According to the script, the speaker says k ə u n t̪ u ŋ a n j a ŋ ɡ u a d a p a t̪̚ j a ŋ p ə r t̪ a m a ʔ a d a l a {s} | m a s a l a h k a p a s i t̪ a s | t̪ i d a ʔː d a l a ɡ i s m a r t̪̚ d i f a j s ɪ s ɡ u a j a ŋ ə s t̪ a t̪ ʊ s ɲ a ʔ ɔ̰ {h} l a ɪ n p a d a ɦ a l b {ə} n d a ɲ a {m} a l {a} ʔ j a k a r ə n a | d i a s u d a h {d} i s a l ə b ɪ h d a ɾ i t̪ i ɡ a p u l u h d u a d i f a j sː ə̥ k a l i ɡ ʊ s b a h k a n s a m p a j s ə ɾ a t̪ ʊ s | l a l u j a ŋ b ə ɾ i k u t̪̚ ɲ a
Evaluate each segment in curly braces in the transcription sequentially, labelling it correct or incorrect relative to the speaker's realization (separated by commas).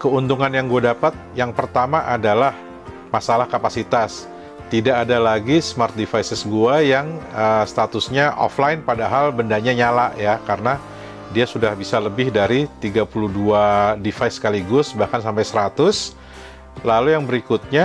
incorrect, incorrect, correct, incorrect, correct, incorrect